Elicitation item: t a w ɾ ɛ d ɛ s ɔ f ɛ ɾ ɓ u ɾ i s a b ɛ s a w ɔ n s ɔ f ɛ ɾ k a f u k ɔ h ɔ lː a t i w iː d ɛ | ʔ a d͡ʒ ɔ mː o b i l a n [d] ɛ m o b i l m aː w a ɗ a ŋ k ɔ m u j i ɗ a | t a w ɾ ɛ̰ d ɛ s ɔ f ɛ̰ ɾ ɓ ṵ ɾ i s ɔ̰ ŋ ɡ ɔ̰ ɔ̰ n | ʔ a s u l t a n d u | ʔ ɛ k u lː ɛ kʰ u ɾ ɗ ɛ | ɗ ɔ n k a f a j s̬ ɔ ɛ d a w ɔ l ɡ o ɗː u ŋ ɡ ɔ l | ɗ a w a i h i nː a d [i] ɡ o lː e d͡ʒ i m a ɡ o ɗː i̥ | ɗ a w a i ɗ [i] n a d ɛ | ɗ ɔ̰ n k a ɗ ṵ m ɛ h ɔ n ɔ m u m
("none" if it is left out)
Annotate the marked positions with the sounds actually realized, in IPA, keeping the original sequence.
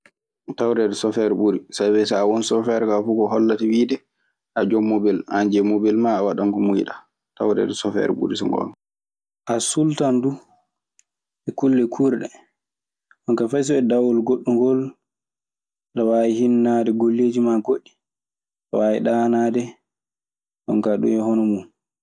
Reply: d͡ʒ, ɛ, a

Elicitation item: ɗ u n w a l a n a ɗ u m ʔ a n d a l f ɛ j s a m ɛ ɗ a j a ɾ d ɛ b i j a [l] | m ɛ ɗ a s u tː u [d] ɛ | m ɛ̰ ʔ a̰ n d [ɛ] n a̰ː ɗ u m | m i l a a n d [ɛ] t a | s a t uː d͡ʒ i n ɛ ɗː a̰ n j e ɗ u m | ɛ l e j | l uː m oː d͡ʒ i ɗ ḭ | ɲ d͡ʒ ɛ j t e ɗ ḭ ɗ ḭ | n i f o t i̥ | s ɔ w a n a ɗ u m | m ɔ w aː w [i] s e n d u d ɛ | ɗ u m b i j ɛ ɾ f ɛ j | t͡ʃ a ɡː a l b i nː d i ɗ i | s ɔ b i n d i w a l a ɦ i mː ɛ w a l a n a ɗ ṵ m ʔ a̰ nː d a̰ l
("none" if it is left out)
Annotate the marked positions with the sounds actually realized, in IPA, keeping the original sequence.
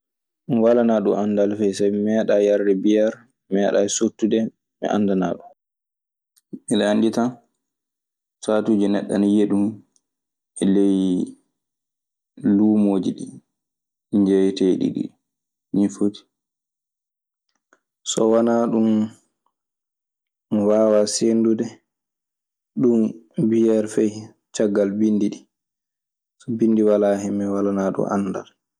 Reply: ɾ, d, a, i, a

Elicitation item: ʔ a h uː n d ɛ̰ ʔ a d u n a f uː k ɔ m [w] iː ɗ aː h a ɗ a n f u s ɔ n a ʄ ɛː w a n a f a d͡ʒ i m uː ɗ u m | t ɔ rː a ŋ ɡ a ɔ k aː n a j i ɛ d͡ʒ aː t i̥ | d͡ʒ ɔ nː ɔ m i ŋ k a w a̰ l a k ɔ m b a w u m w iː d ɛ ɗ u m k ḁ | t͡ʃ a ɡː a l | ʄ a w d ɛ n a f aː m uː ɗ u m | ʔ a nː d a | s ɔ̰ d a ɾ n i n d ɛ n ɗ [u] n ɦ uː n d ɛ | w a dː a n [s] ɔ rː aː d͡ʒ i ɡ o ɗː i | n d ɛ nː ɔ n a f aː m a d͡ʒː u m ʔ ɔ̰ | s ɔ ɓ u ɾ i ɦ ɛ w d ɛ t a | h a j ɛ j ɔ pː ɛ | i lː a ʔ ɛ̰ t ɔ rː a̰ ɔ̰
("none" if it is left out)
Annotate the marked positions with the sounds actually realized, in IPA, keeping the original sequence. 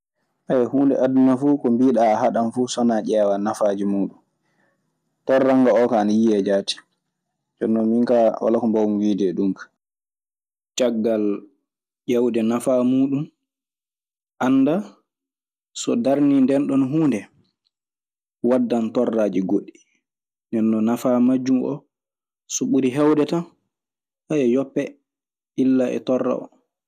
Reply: b, ɔ, t

